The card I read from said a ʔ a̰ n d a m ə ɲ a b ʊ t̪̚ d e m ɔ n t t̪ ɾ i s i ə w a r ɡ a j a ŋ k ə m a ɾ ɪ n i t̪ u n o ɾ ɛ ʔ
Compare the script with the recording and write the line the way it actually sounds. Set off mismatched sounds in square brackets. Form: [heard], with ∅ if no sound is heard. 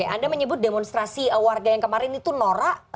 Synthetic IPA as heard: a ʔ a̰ n d a m ə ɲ [ə] b ʊ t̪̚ d e m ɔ n [s] t̪ ɾ [a] s i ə w a r ɡ a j a ŋ k ə m a ɾ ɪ n i t̪ u n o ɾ [a] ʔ